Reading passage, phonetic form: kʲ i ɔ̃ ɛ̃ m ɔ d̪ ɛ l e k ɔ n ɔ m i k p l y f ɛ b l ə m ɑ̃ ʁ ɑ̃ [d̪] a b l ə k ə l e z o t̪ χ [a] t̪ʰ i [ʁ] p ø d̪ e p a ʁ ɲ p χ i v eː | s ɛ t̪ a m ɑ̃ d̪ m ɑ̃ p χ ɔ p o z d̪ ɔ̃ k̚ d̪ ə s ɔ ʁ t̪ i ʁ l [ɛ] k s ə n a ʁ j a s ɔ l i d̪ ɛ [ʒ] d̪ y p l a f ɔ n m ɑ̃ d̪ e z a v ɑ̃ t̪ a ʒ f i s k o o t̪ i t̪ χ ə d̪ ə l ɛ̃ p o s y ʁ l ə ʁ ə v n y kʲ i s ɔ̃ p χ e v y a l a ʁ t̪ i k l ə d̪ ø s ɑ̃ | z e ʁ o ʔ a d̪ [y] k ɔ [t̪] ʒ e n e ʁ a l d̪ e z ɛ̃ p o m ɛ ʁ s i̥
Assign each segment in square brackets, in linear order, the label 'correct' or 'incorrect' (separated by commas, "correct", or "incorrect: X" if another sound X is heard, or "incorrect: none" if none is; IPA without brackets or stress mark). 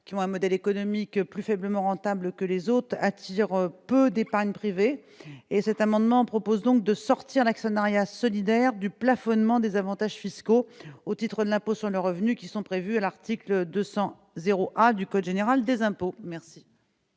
incorrect: t̪, correct, correct, incorrect: a, incorrect: ʁ, correct, incorrect: d̪